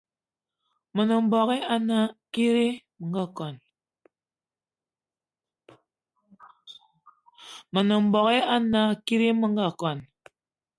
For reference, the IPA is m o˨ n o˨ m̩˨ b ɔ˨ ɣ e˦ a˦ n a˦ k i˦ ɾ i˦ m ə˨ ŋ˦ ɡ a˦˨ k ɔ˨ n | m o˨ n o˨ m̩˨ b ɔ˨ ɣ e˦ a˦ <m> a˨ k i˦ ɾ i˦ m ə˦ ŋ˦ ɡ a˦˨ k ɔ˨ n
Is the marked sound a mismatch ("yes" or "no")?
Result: yes